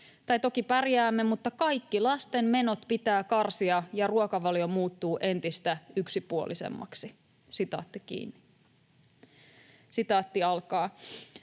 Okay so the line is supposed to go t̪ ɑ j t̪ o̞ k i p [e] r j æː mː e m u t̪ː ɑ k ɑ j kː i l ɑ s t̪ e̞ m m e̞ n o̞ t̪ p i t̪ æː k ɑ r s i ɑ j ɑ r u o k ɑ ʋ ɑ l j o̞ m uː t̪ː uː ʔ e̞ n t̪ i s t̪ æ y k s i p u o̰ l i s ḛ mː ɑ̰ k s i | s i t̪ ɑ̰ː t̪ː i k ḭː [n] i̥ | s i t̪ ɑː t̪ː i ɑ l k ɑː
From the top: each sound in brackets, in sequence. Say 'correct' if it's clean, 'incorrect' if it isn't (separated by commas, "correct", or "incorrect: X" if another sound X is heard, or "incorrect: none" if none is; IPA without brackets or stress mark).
incorrect: æ, incorrect: nː